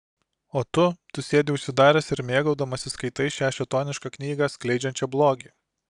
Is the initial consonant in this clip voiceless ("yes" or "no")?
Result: yes